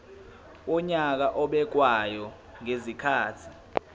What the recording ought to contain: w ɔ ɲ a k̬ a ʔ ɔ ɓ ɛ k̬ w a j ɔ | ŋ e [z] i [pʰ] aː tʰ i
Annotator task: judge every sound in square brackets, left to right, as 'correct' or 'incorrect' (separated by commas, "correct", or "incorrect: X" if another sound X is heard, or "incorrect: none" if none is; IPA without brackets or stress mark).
correct, incorrect: kʰ